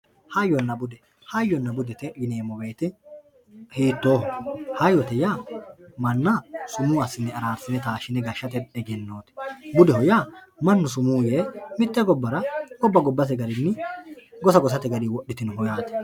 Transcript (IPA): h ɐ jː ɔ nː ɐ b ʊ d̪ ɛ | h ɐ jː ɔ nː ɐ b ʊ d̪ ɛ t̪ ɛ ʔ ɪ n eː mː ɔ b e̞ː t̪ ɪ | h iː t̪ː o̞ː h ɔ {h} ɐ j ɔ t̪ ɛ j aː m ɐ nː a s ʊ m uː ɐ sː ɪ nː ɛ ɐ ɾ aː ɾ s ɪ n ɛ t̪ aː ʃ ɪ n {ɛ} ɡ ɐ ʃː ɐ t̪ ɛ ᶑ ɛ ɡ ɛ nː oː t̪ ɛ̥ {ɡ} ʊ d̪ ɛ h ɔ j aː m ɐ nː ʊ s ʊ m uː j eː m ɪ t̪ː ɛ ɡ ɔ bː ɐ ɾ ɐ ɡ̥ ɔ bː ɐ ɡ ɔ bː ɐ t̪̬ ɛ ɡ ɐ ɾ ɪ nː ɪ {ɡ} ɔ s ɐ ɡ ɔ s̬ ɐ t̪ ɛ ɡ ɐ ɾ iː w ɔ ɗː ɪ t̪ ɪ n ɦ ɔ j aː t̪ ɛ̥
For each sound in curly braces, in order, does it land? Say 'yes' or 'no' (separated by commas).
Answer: yes, yes, no, yes